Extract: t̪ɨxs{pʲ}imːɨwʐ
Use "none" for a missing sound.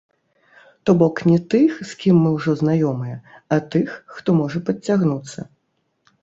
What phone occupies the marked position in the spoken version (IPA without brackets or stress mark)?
kʲ